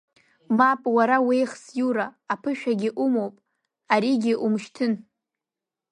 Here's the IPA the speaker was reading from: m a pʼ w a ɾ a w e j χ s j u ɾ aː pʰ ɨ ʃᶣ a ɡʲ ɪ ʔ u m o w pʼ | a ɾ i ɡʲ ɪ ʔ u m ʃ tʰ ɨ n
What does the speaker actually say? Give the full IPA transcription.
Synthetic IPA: m a pʼ w a ɾ a w e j χ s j u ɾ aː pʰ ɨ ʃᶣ a ɡʲ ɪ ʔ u m o w pʼ | a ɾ i ɡʲ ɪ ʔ u m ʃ tʰ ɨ n

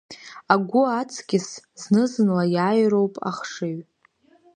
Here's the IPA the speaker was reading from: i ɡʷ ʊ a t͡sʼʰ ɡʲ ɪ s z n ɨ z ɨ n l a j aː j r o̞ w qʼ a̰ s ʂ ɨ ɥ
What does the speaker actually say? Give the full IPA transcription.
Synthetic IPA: a ɡʷ ʊ a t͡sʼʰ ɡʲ ɪ s z n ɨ z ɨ n l a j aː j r o̞ w pʼ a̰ χ ʂ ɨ ɥ

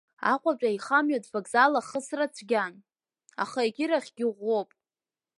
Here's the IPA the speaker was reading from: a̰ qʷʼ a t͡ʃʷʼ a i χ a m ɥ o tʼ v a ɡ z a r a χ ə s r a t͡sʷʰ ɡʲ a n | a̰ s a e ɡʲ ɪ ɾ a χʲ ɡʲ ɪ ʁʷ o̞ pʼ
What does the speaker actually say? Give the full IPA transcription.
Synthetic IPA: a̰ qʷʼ a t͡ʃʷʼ a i χ a m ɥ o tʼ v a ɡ z a l a χ ə s r a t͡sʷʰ ɡʲ a n | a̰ χ a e ɡʲ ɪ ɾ a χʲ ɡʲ ɪ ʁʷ o̞ pʼ

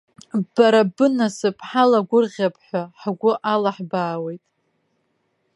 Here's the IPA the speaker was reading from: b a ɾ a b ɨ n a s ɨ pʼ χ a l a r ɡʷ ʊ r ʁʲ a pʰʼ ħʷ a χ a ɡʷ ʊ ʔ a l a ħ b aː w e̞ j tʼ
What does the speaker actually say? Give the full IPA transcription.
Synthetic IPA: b a ɾ a b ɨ n a s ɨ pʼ ħ a l a ɡʷ ʊ r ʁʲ a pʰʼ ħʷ a ħ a ɡʷ ʊ ʔ a l a ħ b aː w e̞ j tʼ

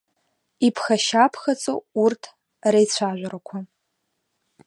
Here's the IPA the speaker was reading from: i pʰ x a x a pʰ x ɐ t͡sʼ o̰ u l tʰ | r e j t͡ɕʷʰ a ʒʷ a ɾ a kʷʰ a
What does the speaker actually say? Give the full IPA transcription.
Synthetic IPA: i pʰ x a ʃ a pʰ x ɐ t͡sʼ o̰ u r tʰ | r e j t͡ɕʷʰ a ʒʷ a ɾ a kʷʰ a

